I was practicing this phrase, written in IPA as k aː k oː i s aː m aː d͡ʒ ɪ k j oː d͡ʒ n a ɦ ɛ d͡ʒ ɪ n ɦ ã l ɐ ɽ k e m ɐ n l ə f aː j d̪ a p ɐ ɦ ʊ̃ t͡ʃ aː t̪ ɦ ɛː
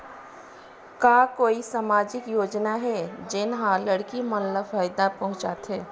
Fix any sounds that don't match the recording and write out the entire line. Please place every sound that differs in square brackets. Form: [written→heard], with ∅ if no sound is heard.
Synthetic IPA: k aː k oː i s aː m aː d͡ʒ ɪ k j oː d͡ʒ n a ɦ ɛ d͡ʒ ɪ n ɦ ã l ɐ ɽ k [e→i] m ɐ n l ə f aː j d̪ a p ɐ ɦ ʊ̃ t͡ʃ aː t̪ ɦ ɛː